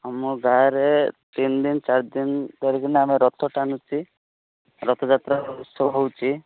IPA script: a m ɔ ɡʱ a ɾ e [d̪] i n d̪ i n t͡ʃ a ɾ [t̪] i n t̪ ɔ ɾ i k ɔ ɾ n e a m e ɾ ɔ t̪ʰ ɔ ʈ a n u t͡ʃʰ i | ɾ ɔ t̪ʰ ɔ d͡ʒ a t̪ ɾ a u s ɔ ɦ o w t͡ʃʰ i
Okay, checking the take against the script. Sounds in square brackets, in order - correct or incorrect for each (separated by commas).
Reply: incorrect, incorrect